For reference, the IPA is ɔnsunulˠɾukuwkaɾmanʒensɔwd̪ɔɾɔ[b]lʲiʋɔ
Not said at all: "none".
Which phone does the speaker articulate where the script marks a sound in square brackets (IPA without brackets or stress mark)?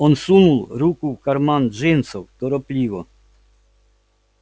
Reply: p